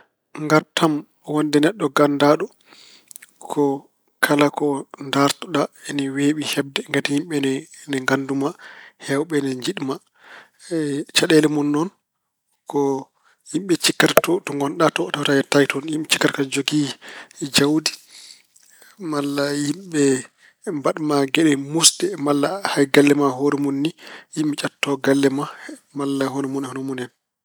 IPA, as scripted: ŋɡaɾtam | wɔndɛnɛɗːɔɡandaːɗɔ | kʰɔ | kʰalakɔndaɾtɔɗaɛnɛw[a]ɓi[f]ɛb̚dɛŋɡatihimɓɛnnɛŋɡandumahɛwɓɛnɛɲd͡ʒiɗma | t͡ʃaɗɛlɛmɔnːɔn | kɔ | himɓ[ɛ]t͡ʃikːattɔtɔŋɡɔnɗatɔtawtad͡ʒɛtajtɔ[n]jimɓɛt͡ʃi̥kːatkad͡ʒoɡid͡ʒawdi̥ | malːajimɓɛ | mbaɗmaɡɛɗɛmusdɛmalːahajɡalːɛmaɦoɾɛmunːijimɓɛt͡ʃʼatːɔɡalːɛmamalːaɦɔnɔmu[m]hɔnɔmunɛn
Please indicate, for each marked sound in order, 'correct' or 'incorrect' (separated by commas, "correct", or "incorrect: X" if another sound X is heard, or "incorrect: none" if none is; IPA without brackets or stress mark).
incorrect: e, incorrect: h, correct, correct, incorrect: n